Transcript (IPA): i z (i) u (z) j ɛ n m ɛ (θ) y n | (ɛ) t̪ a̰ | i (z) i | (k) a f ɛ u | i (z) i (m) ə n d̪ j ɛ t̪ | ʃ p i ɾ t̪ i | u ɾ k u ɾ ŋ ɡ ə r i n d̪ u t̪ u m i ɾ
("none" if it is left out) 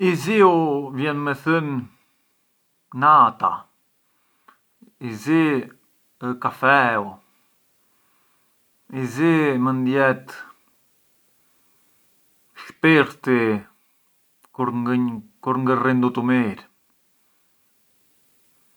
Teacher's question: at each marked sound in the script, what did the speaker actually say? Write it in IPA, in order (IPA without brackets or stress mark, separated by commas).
i, v, θ, a, z, k, z, m